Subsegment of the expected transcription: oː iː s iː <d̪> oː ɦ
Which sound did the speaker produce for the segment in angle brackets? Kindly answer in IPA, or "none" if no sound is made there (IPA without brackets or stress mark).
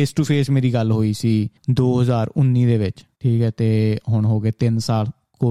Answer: d̪